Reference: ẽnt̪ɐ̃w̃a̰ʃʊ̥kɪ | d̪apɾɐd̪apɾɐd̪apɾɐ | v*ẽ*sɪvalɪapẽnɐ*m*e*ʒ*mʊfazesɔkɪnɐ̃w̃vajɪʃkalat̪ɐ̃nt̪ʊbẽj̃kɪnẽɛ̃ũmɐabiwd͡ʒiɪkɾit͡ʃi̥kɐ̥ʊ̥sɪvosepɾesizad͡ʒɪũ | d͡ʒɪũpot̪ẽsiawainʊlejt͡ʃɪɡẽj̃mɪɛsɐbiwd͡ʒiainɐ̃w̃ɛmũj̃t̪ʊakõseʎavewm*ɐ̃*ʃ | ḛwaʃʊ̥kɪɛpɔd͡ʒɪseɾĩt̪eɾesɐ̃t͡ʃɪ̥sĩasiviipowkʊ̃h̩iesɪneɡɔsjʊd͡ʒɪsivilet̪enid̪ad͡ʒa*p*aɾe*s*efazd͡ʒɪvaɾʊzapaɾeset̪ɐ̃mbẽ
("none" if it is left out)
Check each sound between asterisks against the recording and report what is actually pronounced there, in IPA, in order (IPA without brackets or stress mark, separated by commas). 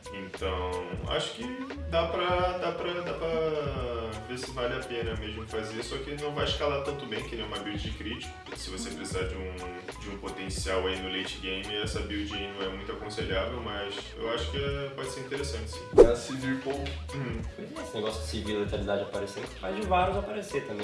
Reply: e, m, ʒ, ɐ, p, s